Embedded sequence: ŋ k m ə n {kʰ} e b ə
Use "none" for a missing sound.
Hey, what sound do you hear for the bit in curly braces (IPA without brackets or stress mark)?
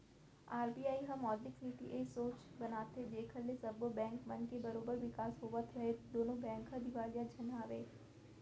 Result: k